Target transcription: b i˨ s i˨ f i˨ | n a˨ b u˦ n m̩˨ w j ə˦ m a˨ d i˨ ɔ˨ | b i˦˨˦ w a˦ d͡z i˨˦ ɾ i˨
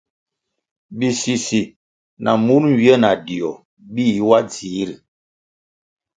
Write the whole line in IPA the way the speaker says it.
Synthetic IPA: b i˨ s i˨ s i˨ | n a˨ m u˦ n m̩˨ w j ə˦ n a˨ d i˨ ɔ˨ | b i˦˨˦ w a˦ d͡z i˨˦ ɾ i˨